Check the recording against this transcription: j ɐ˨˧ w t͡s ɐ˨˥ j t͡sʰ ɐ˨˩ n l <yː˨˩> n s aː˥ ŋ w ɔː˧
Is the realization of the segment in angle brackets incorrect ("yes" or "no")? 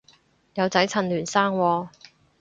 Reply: no